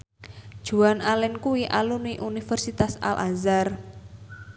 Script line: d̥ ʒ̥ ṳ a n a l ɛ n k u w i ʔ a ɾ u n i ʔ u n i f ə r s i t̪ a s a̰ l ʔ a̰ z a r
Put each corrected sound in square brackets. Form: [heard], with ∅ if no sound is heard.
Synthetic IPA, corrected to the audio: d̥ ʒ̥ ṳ a n a l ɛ n k u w i ʔ a [l] u n i ʔ u n i f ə r s i t̪ a s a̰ l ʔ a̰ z a r